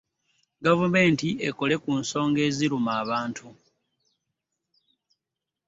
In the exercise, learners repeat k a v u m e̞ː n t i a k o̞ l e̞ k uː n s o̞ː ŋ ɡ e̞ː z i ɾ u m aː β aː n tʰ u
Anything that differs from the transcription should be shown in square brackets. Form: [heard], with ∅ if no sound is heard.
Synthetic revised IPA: [ɡ] a v u m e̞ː n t i [e] k o̞ l e̞ k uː n s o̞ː ŋ ɡ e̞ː z i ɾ u m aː β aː n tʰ u